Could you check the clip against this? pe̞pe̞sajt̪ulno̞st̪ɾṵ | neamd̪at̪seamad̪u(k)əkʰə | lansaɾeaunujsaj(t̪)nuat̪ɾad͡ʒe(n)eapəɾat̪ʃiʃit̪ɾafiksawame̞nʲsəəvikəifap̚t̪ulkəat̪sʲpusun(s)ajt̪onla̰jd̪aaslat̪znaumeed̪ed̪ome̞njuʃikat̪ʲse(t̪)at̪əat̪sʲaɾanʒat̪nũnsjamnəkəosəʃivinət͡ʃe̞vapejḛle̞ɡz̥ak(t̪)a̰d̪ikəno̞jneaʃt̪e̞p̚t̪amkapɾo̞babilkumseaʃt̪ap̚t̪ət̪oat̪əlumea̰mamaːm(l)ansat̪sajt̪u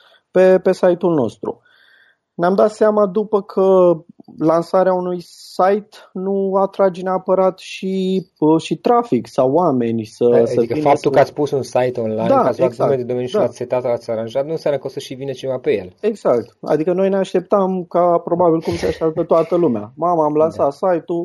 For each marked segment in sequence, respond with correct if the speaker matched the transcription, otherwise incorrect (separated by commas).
incorrect, correct, correct, correct, correct, correct, correct